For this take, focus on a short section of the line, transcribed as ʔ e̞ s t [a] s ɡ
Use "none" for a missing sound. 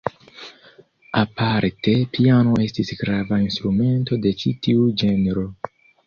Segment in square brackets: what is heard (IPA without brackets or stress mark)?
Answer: i